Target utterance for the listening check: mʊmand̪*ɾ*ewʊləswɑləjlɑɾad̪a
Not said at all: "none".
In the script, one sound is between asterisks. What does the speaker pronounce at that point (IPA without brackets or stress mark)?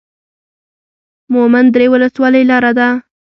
ɾ